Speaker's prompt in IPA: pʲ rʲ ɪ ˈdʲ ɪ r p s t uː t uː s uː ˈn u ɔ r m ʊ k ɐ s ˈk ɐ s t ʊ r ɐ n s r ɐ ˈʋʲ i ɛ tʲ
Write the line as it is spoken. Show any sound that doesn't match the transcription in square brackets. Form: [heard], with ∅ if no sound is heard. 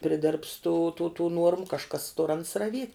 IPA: pʲ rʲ ɪ ˈdʲ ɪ r p s t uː t uː [t] uː ˈn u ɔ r m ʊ k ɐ [ʃ] ˈk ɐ s t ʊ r ɐ n s r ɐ ˈʋʲ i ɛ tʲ